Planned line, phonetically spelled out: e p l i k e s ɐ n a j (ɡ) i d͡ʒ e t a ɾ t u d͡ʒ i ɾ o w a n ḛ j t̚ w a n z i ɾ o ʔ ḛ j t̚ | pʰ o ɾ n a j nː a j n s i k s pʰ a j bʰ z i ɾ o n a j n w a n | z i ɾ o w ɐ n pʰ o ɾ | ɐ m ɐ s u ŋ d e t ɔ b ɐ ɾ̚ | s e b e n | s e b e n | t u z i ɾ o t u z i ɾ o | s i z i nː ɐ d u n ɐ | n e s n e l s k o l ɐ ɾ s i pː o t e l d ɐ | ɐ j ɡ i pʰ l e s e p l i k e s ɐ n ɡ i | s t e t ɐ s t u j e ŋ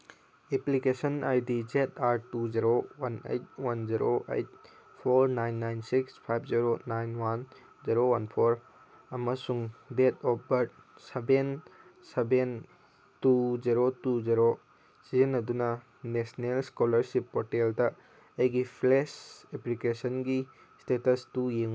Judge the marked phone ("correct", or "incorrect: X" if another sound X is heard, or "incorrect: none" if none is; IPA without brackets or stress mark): incorrect: d